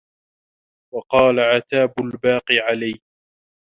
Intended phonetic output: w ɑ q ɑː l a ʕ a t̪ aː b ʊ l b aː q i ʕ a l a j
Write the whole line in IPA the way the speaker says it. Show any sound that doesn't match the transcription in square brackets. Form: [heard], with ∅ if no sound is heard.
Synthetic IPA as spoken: w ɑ q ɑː l a ʕ a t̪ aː b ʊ l b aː q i ʕ a l a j